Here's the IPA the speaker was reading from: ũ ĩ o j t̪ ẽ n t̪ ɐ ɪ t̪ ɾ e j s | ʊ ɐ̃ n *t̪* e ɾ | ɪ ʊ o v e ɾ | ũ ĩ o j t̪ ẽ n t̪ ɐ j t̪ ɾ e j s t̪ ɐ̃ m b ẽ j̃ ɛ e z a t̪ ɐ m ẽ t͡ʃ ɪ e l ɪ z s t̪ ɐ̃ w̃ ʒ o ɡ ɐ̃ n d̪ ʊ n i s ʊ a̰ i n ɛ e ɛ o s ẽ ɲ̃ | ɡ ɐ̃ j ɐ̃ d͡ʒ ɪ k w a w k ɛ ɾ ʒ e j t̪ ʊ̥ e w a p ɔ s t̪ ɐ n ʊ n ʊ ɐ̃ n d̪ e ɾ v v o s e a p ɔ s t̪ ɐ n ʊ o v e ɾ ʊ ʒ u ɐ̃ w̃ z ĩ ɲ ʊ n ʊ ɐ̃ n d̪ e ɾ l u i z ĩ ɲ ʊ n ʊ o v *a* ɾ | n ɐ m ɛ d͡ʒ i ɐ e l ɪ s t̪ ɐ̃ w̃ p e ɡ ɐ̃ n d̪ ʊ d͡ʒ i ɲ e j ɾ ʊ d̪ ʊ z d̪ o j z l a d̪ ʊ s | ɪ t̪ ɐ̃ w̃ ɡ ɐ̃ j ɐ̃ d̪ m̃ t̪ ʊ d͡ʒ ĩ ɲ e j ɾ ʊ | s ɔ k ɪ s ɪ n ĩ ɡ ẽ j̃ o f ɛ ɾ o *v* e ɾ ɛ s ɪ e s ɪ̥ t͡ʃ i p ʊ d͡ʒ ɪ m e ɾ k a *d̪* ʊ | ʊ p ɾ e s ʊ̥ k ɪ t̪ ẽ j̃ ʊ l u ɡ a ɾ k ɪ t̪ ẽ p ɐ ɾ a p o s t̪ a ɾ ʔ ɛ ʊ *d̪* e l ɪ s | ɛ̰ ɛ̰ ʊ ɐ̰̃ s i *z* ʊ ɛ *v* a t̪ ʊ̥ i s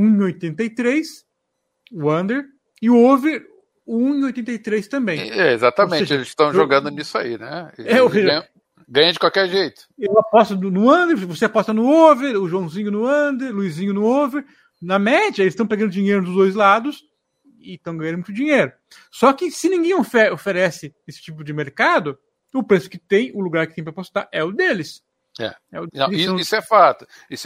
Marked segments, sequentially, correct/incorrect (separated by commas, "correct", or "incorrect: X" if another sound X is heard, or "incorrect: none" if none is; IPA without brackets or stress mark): incorrect: d̪, incorrect: e, incorrect: f, correct, correct, incorrect: s, incorrect: f